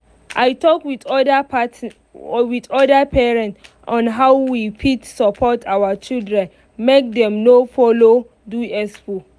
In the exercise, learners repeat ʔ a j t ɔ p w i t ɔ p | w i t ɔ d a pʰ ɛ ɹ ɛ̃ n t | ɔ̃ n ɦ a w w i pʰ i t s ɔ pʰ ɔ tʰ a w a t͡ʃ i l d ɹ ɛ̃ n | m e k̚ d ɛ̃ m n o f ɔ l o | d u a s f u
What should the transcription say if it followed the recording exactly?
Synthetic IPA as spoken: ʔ a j t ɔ k w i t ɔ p | w i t ɔ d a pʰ ɛ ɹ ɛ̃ n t | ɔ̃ n ɦ a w w i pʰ i t s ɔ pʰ ɔ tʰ a w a t͡ʃ i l d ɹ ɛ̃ n | m e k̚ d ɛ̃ m n o f ɔ l o | d u ɛ s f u